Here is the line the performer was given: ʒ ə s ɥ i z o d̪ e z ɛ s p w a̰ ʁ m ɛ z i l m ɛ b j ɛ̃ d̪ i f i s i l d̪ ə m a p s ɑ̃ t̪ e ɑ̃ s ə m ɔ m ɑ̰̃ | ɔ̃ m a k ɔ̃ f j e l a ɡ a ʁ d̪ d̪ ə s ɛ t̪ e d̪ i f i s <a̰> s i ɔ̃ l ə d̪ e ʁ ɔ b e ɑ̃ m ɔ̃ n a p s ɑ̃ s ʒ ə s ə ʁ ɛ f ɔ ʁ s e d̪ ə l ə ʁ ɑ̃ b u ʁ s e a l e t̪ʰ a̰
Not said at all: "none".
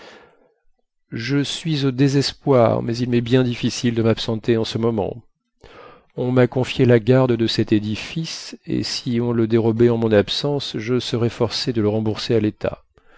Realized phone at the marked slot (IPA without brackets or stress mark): ḛ